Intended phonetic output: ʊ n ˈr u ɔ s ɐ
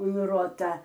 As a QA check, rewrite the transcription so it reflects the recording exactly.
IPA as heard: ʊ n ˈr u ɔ t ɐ